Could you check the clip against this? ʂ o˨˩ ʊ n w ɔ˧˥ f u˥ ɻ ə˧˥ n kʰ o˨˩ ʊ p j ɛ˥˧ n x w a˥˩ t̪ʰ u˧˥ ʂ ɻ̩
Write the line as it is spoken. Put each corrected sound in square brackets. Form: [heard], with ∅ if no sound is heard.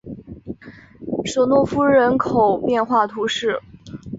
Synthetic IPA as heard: ʂ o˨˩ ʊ n w [ɔ˥˩] f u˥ ɻ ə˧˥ n kʰ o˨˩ ʊ p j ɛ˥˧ n x w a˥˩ t̪ʰ u˧˥ ʂ ɻ̩